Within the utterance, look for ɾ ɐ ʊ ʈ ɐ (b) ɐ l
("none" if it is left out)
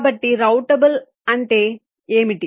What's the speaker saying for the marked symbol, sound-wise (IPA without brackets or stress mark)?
b